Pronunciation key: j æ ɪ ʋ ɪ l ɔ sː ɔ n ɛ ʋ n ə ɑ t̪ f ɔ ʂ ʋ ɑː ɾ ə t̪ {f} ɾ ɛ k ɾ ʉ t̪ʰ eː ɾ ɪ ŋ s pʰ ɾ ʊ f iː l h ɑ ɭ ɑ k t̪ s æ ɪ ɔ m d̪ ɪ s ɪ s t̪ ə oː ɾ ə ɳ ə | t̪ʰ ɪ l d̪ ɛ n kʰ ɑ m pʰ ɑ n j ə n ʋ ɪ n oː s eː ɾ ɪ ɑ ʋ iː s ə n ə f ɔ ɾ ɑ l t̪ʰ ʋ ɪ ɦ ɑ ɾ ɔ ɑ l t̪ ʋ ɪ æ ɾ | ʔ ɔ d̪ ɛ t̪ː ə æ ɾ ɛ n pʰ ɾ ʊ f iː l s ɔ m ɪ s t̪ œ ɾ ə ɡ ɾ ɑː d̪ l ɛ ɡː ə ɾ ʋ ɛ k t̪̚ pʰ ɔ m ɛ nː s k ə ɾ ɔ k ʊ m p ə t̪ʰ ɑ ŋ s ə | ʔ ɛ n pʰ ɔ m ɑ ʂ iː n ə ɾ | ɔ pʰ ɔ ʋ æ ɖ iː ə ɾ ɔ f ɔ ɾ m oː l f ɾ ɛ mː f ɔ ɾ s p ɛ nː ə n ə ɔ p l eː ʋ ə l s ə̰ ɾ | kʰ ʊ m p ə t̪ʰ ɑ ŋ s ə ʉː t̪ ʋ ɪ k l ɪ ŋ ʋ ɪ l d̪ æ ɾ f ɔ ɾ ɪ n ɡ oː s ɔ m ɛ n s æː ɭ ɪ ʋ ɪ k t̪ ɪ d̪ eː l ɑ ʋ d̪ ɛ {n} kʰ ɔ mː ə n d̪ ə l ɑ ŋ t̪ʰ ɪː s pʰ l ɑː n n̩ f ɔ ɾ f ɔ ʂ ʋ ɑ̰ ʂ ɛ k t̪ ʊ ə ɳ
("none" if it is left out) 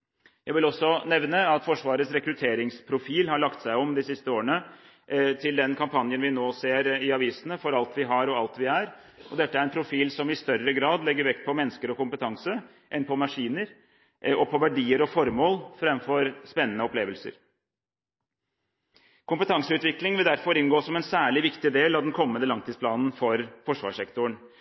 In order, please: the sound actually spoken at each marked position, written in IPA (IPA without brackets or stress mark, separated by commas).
s, n